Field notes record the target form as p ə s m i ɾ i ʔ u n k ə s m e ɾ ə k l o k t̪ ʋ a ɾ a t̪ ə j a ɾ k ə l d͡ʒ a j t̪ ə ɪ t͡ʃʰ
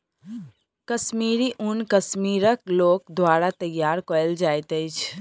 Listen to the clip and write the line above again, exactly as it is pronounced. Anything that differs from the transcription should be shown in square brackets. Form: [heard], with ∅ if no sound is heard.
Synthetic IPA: [k] ə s m i ɾ i ʔ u n k ə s m [i] ɾ ə k l o k [d̪] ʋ a ɾ a t̪ ə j a ɾ k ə l d͡ʒ a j t̪ ə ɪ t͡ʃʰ